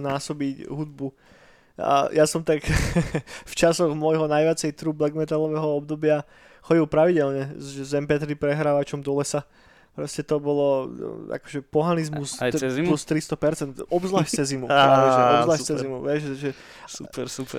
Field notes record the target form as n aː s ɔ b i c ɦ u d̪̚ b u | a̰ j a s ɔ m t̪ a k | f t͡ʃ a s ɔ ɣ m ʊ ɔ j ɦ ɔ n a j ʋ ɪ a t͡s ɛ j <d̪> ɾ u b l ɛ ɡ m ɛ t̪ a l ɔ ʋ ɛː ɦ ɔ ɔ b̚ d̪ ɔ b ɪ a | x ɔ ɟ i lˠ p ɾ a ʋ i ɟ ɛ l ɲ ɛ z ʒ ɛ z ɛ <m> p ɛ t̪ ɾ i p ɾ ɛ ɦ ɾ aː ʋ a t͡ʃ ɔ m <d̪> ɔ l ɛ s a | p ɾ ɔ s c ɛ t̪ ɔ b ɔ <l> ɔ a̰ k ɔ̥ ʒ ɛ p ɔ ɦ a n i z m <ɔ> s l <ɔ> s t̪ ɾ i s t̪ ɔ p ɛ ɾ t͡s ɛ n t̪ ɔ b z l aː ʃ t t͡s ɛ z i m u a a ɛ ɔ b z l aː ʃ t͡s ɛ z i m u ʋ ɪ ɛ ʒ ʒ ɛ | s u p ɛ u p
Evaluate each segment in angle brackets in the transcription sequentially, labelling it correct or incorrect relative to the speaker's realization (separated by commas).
incorrect, correct, correct, correct, incorrect, incorrect